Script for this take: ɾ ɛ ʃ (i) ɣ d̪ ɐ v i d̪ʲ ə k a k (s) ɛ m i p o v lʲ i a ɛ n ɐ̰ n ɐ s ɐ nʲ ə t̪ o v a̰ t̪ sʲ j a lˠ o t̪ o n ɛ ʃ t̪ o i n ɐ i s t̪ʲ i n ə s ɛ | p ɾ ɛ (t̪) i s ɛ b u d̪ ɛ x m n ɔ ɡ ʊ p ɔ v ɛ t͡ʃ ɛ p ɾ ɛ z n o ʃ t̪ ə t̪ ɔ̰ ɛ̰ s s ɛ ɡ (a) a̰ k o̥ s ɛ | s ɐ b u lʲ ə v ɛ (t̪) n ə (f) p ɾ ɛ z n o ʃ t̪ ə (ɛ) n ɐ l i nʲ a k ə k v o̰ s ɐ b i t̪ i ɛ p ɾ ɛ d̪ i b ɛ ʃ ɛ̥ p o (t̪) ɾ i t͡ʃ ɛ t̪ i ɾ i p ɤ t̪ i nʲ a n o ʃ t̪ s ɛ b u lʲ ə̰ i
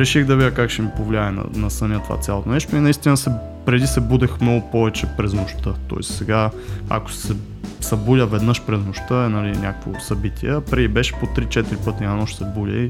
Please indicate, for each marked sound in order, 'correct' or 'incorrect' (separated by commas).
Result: correct, incorrect, incorrect, correct, incorrect, incorrect, correct, correct